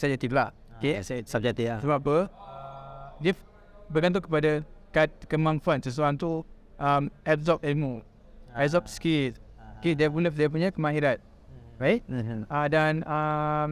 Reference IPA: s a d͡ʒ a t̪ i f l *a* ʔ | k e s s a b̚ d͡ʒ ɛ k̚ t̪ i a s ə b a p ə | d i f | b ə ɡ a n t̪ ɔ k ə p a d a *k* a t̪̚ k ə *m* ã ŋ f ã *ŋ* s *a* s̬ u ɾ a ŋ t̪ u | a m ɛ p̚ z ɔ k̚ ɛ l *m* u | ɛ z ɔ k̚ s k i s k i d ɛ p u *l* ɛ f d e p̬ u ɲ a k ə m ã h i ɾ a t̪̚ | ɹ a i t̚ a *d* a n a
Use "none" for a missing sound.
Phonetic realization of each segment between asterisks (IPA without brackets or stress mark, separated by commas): a, k, m, n, ə, m, l, d